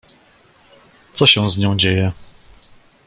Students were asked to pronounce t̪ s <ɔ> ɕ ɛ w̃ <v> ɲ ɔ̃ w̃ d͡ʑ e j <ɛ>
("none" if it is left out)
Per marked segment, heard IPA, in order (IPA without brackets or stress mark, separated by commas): ɔ, z, ɛ